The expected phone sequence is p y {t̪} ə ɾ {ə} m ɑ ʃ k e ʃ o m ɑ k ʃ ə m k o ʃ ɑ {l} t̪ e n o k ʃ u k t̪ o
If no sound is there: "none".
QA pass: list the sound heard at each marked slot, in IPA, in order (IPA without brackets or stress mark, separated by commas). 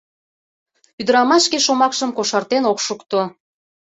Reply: d̪, ɑ, r